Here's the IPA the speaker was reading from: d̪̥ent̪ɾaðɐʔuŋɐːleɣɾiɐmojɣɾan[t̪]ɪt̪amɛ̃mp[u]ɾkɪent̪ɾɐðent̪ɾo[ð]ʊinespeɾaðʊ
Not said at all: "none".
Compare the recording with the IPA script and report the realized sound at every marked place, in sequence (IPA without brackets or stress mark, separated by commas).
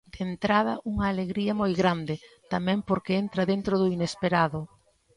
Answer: d̪, o, ð